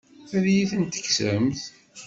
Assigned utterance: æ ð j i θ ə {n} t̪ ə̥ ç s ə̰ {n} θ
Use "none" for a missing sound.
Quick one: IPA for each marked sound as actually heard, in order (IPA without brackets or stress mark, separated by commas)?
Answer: n, m